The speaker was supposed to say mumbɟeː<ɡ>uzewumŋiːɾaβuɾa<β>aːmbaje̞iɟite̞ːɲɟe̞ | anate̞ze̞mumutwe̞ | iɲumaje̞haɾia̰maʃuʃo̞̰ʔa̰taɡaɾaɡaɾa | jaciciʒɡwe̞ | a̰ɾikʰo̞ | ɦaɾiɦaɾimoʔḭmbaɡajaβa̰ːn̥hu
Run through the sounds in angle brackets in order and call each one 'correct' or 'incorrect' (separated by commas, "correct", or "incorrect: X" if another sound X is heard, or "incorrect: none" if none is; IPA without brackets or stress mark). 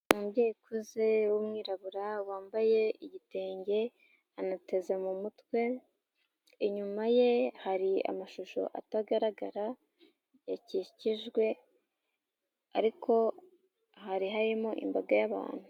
incorrect: k, incorrect: w